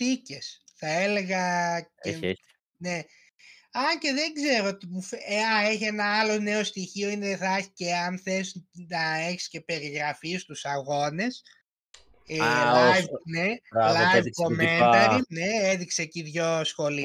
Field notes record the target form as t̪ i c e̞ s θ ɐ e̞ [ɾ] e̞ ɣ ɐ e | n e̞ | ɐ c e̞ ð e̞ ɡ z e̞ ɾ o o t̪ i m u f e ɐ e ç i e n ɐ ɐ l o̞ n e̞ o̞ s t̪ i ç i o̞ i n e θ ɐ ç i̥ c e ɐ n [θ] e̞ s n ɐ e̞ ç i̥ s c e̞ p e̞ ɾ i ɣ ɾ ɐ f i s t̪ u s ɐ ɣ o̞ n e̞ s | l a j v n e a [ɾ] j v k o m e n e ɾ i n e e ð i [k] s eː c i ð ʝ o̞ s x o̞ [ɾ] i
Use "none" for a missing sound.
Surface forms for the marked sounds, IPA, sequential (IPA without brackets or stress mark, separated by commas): l, θ, l, k, l